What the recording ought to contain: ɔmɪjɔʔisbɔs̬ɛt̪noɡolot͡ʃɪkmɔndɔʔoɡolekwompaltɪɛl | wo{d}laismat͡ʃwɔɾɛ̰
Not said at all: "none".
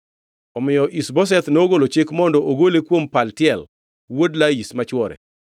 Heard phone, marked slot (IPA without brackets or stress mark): d